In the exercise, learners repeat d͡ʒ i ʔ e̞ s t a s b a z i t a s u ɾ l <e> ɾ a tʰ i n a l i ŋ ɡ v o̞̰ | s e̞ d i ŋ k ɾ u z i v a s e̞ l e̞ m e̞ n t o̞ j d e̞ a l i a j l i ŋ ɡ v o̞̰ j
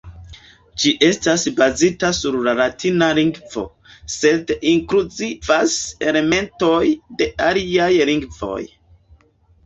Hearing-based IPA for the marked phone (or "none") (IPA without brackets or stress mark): a